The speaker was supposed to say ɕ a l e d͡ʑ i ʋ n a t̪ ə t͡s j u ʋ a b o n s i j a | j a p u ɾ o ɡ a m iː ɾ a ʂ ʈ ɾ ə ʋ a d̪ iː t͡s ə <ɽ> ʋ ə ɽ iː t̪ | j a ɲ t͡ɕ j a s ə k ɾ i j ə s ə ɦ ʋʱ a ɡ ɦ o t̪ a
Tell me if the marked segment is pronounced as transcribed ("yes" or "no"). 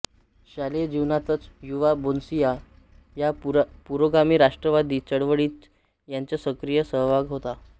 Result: yes